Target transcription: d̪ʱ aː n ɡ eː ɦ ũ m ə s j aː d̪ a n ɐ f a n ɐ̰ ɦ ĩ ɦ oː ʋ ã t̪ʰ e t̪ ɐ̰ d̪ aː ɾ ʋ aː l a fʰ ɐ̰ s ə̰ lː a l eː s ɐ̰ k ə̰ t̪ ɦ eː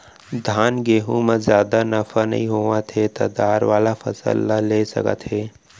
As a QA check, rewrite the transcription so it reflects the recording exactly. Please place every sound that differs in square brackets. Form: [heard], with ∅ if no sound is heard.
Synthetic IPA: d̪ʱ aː n ɡ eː ɦ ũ m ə [z] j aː d̪ a n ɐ f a n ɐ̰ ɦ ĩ ɦ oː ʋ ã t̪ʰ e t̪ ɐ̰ d̪ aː ɾ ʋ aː l a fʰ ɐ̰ s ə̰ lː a l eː s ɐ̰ k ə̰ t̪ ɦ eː